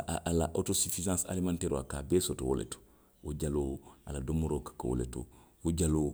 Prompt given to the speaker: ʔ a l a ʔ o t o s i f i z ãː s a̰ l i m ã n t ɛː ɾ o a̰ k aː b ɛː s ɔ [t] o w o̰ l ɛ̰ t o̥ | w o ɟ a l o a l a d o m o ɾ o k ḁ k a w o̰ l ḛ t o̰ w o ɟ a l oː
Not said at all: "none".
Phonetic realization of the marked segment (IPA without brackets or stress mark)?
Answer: t